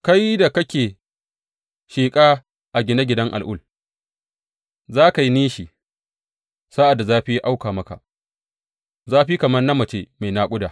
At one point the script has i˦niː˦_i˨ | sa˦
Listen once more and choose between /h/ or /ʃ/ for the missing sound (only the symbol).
ʃ